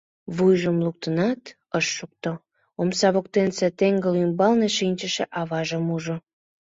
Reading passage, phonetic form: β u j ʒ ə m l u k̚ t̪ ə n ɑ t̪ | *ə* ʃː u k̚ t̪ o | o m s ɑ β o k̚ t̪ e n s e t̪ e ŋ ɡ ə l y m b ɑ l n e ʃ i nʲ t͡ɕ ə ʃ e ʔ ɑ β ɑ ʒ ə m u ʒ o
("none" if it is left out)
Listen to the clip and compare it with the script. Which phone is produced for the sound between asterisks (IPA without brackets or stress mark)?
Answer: ə